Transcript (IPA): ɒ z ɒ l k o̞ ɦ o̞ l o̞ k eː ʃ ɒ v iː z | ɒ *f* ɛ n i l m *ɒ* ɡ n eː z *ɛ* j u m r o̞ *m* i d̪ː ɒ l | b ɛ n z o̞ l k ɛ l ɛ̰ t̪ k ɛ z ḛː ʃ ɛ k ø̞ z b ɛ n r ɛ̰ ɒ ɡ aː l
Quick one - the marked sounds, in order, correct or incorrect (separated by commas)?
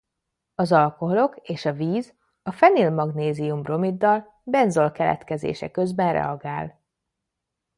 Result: correct, correct, incorrect, correct